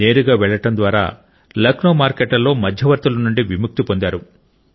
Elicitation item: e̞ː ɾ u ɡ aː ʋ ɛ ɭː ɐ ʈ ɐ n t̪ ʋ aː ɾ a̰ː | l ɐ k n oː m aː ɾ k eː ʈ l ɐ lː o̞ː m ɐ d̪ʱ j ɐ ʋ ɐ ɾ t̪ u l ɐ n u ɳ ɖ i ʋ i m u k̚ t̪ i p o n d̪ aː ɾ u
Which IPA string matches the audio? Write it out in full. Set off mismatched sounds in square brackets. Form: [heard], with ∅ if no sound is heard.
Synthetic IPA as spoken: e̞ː ɾ u ɡ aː ʋ ɛ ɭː ɐ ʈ ɐ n [d̪] ʋ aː ɾ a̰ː | l ɐ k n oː m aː ɾ k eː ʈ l ɐ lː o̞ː m ɐ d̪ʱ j ɐ ʋ ɐ ɾ t̪ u l ɐ n u ɳ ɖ i ʋ i m u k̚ t̪ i p o n d̪ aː ɾ u